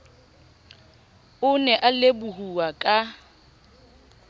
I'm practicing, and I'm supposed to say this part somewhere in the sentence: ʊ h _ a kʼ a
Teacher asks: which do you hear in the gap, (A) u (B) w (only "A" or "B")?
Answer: A